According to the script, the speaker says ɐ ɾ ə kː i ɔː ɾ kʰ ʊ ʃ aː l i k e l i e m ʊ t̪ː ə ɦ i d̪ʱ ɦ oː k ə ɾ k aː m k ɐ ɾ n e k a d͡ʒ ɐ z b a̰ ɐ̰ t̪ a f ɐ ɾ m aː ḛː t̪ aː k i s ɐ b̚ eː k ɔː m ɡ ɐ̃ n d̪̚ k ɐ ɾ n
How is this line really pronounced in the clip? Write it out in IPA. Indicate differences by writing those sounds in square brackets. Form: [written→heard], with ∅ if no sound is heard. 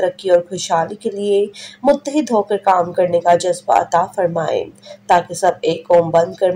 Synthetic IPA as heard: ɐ ɾ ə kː i ɔː ɾ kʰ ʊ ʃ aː l i k e l i e m ʊ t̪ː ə ɦ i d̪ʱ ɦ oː k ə ɾ k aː m k ɐ ɾ n e k a d͡ʒ ɐ z b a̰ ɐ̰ t̪ a f ɐ ɾ m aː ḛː t̪ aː k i s ɐ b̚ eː k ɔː m [ɡ→b] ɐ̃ n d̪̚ k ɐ ɾ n